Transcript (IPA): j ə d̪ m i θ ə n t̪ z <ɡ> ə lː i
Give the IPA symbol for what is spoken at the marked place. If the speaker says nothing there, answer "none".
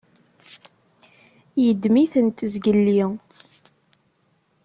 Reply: ɡ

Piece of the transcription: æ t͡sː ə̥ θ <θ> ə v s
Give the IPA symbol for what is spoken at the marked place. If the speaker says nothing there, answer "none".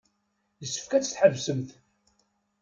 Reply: ħ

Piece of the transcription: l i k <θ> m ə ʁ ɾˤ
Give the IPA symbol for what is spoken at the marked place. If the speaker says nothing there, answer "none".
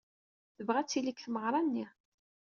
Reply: θ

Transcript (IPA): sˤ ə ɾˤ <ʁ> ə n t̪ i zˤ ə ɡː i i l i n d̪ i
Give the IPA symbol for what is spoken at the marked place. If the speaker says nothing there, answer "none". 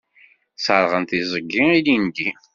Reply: ʁ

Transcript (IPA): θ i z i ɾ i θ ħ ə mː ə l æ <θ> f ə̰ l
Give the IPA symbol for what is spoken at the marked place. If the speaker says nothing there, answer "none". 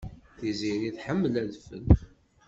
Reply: ð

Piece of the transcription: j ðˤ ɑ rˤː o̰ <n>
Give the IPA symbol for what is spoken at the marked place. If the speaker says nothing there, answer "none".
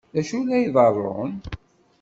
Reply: n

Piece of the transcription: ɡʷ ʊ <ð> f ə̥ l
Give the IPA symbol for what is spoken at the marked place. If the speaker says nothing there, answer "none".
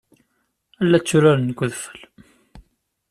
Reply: ð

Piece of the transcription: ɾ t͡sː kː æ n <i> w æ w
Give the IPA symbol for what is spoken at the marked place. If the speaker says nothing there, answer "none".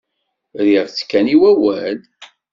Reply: i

